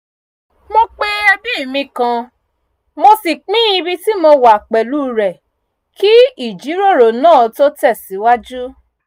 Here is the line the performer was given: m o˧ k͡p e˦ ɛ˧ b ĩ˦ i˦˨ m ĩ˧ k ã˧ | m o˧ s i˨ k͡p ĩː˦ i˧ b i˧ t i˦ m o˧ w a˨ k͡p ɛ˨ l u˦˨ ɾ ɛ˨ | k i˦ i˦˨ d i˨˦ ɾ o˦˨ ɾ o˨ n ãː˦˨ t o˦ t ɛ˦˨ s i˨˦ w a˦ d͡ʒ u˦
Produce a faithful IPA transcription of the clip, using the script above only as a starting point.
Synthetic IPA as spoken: m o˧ k͡p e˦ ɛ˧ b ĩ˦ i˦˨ m ĩ˧ k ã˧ | m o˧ s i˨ k͡p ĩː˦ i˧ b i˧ t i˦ m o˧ w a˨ k͡p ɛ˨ l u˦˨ ɾ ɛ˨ | k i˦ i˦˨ d͡ʒ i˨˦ ɾ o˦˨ ɾ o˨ n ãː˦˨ t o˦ t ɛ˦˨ s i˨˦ w a˦ d͡ʒ u˦